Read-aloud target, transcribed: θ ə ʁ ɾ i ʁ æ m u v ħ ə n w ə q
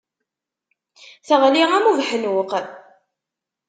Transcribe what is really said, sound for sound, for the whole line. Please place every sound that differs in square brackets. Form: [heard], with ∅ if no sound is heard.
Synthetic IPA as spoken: θ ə ʁ [l] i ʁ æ m u v ħ ə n w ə q